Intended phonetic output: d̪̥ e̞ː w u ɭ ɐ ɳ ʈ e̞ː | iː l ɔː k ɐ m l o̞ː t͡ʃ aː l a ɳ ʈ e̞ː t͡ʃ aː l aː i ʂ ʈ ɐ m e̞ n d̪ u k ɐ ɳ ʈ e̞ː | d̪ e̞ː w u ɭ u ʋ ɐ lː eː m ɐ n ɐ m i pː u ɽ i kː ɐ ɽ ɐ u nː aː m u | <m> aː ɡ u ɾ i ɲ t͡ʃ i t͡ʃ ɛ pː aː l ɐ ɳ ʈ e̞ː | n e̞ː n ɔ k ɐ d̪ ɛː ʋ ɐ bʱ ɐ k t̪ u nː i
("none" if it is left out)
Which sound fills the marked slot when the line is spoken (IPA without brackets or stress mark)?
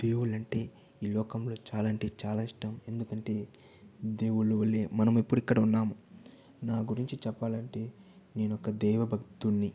n